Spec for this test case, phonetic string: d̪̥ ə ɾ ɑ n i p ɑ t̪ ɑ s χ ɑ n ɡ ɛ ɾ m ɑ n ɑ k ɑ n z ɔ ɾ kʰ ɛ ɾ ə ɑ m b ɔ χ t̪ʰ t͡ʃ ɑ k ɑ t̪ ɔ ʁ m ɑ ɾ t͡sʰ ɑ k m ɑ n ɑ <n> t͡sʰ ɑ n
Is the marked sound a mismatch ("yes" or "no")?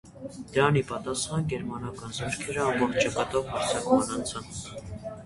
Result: no